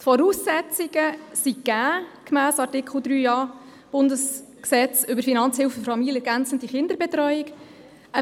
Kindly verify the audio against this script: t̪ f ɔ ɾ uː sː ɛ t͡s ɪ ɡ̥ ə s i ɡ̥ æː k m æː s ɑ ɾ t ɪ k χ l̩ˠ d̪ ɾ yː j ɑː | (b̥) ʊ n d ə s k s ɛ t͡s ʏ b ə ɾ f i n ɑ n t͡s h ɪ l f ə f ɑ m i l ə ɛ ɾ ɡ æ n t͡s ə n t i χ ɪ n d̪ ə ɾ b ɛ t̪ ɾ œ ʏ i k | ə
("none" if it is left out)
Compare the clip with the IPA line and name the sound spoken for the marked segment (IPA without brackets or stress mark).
b̥